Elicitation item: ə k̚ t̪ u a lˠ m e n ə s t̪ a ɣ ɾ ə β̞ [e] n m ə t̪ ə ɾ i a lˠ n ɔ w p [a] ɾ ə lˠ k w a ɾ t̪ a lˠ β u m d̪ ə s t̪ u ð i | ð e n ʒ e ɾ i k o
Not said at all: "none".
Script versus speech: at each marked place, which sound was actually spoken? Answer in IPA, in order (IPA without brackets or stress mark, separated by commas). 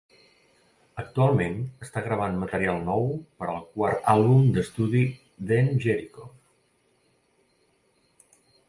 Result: a, ə